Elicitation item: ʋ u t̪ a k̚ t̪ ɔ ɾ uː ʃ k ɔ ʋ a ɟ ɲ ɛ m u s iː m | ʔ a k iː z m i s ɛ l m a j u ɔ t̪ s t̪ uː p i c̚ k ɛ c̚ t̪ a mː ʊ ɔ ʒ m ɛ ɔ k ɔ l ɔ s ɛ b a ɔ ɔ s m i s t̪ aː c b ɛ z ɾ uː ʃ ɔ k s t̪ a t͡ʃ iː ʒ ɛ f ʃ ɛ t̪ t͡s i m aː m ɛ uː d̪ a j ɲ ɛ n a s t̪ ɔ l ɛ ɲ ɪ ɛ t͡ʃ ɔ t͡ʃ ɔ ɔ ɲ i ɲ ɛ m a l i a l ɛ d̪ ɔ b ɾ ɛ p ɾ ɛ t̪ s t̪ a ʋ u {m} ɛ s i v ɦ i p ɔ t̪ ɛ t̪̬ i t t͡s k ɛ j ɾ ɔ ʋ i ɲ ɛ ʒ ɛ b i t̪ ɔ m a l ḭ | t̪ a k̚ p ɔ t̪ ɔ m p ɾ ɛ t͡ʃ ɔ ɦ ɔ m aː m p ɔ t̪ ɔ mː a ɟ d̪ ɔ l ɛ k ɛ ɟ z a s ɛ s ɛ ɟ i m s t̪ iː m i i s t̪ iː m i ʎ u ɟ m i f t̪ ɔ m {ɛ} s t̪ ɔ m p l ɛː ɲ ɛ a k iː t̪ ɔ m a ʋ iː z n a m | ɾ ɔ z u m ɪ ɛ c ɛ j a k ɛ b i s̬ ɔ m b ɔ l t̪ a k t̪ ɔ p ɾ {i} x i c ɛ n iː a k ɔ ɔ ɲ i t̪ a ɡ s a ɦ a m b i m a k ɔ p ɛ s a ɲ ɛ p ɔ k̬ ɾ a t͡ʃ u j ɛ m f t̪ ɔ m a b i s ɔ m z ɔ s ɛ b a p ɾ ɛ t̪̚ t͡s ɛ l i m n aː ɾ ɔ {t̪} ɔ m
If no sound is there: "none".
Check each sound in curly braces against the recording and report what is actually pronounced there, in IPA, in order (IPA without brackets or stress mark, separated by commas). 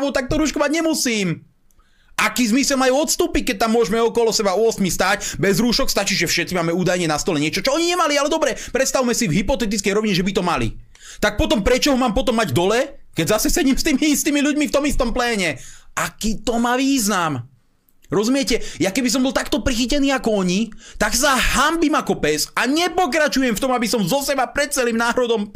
m, i, i, d̪